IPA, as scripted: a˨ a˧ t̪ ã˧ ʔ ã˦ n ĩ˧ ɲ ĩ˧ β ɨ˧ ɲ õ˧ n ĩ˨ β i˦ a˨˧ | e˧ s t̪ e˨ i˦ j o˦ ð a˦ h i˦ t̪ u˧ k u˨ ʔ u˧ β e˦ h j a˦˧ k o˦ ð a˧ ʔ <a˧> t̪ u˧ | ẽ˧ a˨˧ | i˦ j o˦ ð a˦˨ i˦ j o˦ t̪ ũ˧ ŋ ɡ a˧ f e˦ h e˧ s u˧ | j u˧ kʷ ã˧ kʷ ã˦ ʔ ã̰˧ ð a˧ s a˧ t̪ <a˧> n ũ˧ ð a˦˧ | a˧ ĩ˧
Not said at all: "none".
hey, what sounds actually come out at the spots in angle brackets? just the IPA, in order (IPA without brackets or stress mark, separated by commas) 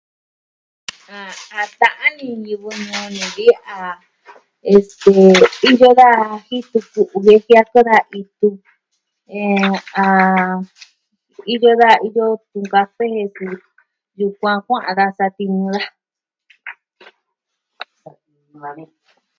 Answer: i˧, i˧